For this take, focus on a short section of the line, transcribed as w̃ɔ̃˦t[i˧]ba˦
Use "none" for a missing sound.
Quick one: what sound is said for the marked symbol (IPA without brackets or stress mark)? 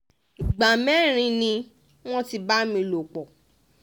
i˧